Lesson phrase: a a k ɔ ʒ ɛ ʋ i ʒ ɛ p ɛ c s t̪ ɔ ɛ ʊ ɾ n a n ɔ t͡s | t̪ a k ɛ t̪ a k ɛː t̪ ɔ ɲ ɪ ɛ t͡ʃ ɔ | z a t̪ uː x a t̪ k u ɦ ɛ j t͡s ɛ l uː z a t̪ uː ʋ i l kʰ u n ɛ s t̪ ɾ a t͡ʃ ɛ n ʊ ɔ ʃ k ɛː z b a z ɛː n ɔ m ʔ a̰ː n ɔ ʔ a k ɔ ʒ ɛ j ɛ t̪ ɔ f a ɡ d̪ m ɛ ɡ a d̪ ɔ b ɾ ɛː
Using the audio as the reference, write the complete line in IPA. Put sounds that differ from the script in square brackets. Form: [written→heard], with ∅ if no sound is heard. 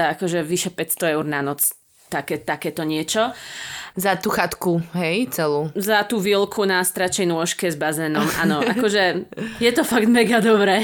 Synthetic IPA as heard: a a k ɔ ʒ ɛ ʋ i [ʒ→ʃ] ɛ p ɛ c s t̪ ɔ ɛ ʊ ɾ n a n ɔ t͡s | t̪ a k ɛ t̪ a k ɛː t̪ ɔ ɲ ɪ ɛ t͡ʃ ɔ | z a t̪ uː x a t̪ k u ɦ ɛ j t͡s ɛ l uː z a t̪ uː ʋ i l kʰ u n [ɛ→a] s t̪ ɾ a t͡ʃ ɛ n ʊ ɔ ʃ k [ɛː→ɛ] z b a z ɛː n ɔ m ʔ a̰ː n ɔ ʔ a k ɔ ʒ ɛ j ɛ t̪ ɔ f a ɡ d̪ m ɛ ɡ a d̪ ɔ b ɾ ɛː